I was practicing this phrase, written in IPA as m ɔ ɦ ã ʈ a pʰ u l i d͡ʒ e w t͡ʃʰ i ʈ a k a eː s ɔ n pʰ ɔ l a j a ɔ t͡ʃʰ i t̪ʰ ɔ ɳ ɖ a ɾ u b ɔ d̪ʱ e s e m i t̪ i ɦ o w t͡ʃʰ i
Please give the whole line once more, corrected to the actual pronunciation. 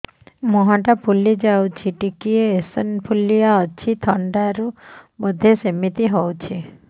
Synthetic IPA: m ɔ ɦ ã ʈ a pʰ u l i d͡ʒ a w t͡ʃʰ i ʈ i k i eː s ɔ n pʰ u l i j a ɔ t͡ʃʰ i t̪ʰ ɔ ɳ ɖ a ɾ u b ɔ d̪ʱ e s e m i t̪ i ɦ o w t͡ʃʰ i